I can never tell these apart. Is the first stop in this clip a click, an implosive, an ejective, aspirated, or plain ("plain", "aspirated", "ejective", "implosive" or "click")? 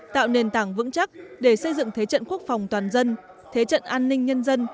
plain